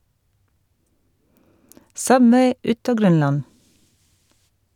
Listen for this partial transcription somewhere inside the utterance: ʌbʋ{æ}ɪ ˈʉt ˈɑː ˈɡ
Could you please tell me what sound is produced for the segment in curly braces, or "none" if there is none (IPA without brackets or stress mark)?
e